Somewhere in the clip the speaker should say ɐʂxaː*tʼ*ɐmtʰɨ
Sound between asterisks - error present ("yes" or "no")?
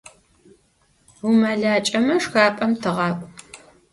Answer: yes